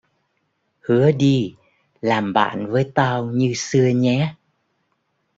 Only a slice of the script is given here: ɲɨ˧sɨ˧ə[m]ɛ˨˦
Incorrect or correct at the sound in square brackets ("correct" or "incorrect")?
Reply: incorrect